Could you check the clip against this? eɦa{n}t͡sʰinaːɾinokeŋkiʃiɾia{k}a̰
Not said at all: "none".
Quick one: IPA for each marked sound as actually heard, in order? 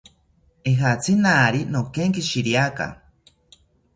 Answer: none, k

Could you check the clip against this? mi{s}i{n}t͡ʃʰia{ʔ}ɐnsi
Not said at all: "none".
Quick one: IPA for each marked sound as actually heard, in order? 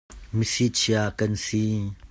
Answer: s, none, k

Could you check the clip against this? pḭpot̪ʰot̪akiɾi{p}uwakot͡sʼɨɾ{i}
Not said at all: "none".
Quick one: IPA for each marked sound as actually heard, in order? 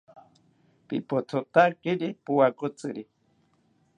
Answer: p, i

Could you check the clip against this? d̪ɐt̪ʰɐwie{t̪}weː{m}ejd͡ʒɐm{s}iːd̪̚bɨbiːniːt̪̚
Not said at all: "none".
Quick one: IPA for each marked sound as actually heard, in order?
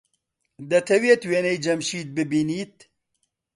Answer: t̪, n, ʃ

